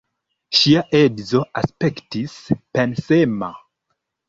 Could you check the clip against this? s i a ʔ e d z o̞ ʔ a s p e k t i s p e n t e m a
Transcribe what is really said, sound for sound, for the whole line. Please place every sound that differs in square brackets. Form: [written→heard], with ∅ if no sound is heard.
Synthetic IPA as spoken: [s→ʃ] i a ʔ e d z o̞ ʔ a s p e k t i s p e n [t→s] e m a